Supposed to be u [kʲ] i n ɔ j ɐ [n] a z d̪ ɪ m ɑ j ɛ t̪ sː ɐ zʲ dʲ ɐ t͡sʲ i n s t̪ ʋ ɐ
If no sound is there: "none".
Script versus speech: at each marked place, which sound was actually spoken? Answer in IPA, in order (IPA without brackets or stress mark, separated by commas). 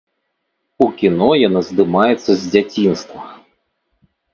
kʲ, n